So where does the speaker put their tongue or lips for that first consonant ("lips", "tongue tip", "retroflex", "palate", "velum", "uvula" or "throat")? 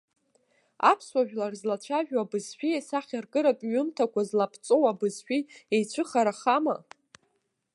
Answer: lips